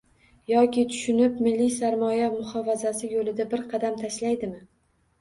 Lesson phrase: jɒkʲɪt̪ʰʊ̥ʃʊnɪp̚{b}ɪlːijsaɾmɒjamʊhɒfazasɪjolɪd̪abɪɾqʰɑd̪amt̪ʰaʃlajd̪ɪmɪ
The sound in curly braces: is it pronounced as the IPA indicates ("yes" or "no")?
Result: no